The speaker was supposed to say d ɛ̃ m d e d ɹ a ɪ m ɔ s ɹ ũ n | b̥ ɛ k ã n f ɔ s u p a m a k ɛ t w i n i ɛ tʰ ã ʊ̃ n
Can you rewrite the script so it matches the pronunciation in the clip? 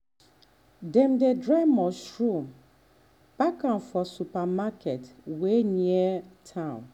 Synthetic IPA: d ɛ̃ m d e d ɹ a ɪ m ɔ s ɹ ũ m | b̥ a k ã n f ɔ s u p a m a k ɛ t w e n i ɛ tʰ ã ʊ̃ n